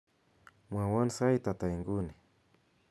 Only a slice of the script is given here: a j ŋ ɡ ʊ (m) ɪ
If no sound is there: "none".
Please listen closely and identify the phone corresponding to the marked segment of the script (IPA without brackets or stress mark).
n